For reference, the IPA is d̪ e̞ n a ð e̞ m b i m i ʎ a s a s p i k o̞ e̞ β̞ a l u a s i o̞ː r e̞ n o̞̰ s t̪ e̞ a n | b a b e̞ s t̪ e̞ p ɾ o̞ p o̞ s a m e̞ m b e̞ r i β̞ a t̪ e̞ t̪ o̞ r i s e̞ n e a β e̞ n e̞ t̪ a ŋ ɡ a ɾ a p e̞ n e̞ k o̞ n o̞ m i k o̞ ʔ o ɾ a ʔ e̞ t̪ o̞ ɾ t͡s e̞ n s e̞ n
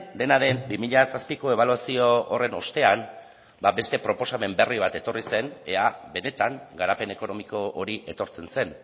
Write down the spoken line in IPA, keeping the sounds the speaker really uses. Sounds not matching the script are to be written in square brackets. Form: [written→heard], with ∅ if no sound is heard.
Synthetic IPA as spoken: d̪ e̞ n a ð e̞ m b i m i ʎ a s a s p i k o̞ e̞ β̞ a l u a s i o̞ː r e̞ n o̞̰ s t̪ e̞ a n | b a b e̞ s t̪ e̞ p ɾ o̞ p o̞ s a m e̞ m b e̞ r i β̞ a t̪ e̞ t̪ o̞ r i s e̞ n e a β e̞ n e̞ t̪ a ŋ ɡ a ɾ a p e̞ n e̞ k o̞ n o̞ m i k o̞ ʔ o ɾ [a→i] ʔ e̞ t̪ o̞ ɾ t͡s e̞ n s e̞ n